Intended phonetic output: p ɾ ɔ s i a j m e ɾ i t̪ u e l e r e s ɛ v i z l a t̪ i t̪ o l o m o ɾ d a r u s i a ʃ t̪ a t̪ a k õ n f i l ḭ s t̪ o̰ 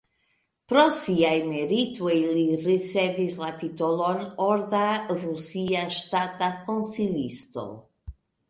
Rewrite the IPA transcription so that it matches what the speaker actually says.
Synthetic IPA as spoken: p ɾ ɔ s i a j m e ɾ i t̪ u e l i r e s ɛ v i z l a t̪ i t̪ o l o n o ɾ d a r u s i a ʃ t̪ a t̪ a k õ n s i l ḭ s t̪ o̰